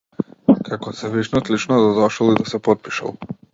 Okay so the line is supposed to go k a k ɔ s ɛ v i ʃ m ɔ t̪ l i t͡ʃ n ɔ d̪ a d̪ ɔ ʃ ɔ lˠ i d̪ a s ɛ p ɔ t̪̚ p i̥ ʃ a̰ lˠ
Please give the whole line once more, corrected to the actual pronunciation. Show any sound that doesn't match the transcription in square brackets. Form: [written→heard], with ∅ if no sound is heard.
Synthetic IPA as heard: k a k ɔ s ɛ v i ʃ [m→n] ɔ t̪ l i t͡ʃ n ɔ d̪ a d̪ ɔ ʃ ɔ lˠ i d̪ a s ɛ p ɔ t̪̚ p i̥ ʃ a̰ lˠ